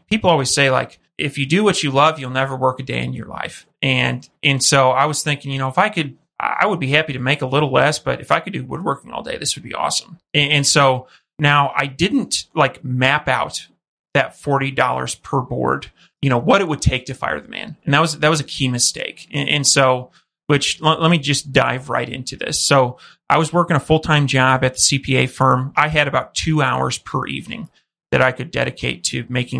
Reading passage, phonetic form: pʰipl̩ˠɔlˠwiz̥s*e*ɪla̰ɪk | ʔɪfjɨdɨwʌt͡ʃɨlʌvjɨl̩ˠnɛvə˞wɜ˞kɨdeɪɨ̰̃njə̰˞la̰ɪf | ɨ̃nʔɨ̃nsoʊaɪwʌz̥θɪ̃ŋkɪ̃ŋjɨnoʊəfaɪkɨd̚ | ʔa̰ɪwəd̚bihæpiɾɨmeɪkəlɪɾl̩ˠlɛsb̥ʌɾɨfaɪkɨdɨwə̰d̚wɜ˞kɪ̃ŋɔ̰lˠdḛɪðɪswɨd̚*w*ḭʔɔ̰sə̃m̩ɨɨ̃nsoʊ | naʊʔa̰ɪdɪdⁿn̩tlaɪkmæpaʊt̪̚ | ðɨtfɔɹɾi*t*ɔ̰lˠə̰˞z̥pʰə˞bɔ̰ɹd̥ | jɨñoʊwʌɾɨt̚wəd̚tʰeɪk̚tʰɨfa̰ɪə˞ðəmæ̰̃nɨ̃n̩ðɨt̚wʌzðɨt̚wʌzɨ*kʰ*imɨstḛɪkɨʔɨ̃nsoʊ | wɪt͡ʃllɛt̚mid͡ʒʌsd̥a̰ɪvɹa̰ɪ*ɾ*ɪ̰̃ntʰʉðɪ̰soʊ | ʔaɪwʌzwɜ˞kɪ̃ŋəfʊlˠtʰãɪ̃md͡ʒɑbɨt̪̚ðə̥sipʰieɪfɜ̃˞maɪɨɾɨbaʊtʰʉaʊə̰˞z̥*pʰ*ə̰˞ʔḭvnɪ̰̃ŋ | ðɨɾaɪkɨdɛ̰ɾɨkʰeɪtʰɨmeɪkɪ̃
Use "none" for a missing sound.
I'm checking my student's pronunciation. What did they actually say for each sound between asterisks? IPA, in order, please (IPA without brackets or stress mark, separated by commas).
e, b, d, kʰ, ɾ, pʰ